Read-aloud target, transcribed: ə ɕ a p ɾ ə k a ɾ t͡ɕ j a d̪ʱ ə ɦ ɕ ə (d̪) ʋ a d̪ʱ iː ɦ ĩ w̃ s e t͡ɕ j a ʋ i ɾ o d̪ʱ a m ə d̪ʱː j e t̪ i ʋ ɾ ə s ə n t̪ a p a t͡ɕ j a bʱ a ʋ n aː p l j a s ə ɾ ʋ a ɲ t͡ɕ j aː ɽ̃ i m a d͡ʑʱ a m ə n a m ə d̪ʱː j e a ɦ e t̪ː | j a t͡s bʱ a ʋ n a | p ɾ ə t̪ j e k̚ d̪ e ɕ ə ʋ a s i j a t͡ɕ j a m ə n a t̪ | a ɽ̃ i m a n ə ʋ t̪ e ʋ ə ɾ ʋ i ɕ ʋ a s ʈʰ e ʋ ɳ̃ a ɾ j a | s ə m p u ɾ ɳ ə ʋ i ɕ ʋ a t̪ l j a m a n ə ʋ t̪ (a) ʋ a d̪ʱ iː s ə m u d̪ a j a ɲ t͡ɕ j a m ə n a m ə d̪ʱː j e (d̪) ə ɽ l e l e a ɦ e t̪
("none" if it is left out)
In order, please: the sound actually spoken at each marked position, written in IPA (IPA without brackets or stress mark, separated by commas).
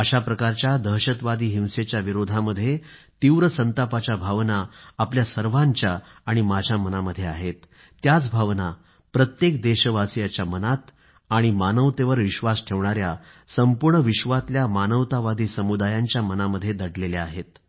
t̪, a, d̪